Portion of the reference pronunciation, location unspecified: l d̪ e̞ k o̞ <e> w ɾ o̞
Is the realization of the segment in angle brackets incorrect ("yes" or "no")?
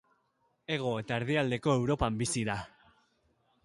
no